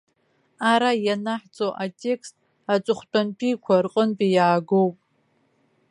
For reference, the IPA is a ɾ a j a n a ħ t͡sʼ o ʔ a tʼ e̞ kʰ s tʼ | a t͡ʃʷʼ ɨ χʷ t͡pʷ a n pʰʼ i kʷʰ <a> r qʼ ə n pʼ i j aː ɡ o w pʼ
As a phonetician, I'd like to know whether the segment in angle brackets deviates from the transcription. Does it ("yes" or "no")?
no